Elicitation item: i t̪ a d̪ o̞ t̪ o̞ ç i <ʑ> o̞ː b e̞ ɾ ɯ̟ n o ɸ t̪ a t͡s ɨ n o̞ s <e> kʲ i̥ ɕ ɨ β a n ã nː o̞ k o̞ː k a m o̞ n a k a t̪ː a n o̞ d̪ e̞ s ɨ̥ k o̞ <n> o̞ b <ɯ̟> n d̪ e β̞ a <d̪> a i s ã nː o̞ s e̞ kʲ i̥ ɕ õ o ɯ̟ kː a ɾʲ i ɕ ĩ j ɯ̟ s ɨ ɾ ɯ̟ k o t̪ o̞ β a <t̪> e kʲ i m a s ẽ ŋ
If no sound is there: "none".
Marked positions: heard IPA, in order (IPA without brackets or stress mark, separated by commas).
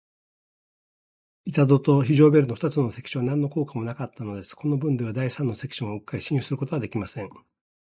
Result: ʑ, e, n, ɯ̟̃, d̪, d̪